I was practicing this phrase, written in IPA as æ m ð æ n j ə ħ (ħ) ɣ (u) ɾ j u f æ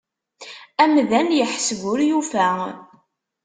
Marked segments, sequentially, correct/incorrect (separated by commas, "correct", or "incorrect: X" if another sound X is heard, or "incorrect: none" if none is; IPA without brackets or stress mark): incorrect: s, incorrect: ʊ